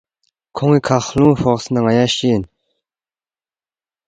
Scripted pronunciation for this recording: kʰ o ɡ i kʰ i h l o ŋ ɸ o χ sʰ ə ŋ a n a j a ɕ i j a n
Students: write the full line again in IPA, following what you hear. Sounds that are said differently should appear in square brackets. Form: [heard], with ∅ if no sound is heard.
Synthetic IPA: kʰ o [ŋ] i kʰ [a] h l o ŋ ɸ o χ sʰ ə [n] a [ŋ] a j a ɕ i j [ə] n